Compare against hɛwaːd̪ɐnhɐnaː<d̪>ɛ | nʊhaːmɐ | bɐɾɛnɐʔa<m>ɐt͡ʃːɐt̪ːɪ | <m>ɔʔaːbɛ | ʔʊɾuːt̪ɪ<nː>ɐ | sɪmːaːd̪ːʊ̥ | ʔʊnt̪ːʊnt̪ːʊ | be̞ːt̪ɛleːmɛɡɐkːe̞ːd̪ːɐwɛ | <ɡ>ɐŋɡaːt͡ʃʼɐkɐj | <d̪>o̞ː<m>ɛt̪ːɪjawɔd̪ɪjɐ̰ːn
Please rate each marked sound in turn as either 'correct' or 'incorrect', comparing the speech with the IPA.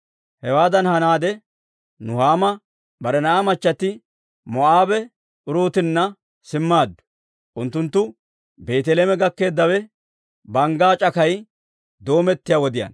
correct, correct, correct, correct, incorrect, correct, correct

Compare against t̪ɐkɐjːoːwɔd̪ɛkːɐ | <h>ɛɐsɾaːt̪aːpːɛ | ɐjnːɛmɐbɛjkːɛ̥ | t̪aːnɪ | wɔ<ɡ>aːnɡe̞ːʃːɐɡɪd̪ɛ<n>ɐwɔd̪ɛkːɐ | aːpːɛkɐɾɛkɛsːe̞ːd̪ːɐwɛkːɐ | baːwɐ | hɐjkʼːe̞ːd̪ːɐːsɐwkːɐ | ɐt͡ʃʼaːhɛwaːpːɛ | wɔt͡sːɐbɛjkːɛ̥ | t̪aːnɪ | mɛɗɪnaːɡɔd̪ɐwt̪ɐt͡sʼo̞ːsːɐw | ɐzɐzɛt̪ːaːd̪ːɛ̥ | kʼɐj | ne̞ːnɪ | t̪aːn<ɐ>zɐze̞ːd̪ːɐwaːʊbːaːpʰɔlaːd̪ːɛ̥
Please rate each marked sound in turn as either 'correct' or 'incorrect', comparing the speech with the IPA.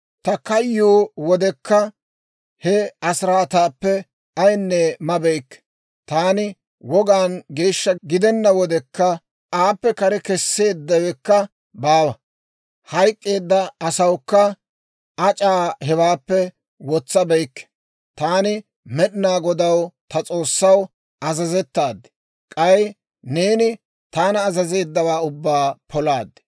correct, correct, incorrect, incorrect

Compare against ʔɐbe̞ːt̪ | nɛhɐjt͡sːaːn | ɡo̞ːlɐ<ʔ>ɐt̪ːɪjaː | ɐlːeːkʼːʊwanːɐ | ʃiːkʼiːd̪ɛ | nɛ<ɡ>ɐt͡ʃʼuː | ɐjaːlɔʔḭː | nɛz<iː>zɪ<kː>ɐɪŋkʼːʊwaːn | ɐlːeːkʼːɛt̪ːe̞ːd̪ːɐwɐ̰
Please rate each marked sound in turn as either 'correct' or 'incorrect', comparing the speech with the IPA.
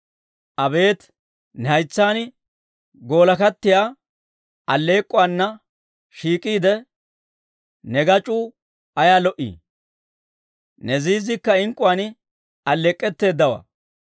incorrect, correct, correct, correct

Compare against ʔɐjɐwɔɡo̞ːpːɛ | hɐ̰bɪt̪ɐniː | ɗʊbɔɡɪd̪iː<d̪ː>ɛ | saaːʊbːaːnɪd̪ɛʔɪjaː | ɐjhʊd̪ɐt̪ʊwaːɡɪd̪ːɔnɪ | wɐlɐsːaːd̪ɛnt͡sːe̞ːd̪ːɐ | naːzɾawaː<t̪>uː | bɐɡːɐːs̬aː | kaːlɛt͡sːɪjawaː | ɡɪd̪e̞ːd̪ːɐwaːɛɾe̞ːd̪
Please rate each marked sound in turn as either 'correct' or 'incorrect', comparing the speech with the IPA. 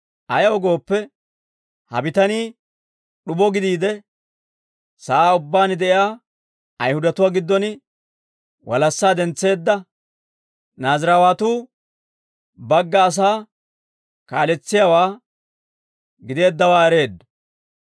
incorrect, correct

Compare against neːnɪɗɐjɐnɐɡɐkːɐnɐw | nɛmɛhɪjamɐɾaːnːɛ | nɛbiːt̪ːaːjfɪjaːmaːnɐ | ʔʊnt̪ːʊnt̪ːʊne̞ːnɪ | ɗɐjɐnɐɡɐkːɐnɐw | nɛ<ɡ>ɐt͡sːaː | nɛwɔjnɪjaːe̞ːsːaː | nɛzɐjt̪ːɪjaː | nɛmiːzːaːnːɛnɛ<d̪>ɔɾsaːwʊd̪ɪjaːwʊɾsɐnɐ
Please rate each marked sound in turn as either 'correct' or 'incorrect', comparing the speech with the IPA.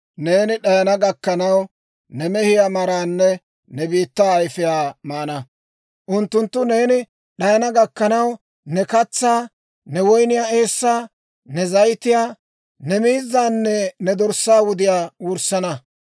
incorrect, correct

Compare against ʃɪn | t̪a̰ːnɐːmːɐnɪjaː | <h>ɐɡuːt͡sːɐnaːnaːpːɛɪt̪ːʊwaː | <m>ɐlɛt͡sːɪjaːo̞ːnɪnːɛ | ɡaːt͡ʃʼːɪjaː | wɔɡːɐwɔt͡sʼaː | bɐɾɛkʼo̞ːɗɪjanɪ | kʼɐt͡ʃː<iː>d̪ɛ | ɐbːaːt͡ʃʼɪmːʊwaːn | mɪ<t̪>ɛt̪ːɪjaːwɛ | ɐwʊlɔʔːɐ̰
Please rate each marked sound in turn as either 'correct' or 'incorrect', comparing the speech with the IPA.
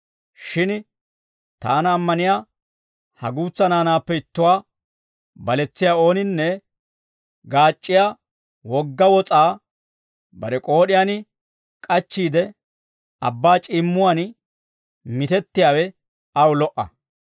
correct, incorrect, correct, correct

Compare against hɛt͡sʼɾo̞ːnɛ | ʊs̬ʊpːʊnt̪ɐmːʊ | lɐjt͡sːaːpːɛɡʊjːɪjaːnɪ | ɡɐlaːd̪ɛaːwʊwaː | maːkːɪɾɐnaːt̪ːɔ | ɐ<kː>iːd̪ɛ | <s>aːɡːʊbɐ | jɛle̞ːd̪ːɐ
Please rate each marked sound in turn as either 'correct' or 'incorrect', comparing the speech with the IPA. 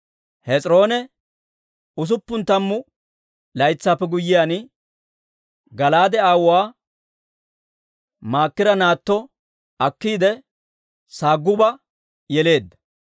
correct, correct

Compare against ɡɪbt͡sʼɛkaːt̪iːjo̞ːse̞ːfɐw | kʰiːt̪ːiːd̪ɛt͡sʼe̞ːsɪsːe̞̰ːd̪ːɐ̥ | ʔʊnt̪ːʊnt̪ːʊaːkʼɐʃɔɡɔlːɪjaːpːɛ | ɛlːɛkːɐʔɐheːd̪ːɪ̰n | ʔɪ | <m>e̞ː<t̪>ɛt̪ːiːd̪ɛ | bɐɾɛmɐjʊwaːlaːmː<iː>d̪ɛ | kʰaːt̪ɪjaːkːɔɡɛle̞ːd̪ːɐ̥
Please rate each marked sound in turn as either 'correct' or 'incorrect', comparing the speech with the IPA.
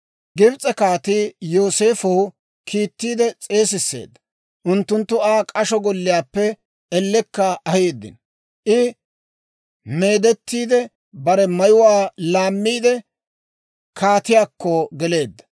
correct, incorrect, correct

